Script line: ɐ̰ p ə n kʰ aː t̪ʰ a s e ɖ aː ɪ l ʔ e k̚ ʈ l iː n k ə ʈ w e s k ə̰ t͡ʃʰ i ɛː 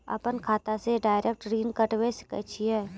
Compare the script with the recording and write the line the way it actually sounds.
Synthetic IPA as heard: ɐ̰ p ə n kʰ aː t̪ a s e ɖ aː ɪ ɾ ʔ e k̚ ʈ ɾ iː n k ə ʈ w e s k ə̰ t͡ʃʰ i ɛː